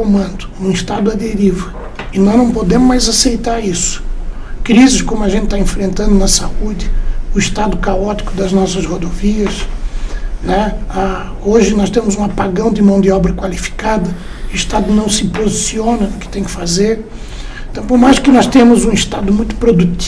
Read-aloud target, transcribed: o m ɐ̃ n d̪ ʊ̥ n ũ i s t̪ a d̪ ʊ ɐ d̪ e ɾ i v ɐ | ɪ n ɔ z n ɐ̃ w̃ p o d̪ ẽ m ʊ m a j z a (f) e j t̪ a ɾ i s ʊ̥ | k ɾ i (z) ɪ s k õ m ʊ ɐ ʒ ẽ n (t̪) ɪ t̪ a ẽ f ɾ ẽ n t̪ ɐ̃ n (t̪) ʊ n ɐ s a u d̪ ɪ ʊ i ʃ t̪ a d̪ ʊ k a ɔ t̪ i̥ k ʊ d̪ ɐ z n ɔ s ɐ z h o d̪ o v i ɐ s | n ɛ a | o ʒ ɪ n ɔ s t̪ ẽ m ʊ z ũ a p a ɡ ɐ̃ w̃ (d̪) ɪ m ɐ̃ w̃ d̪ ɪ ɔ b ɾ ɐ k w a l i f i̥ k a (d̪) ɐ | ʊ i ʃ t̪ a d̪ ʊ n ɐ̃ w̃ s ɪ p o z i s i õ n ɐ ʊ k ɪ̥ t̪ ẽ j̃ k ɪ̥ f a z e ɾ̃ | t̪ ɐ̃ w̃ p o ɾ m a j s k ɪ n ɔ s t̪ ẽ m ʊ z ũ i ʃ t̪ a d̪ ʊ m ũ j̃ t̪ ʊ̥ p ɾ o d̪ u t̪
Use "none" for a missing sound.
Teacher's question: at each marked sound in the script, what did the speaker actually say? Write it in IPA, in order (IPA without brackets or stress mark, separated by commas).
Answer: s, z, t̪, d̪, d̪, d̪